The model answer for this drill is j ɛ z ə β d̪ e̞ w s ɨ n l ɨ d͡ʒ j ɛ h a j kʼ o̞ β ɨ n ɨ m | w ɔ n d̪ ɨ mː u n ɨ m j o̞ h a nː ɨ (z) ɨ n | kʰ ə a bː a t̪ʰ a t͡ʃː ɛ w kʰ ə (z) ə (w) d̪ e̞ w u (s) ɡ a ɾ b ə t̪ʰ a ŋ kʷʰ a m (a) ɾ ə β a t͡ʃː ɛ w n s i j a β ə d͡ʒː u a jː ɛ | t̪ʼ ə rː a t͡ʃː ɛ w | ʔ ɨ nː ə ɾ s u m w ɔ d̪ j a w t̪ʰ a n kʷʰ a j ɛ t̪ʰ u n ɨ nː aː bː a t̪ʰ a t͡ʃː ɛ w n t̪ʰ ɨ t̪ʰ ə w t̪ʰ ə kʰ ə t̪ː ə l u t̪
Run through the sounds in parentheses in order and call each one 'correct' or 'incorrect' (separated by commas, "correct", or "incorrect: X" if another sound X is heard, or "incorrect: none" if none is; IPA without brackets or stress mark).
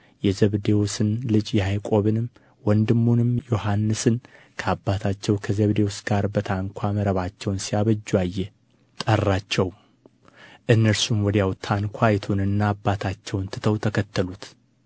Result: incorrect: s, correct, incorrect: β, correct, incorrect: ə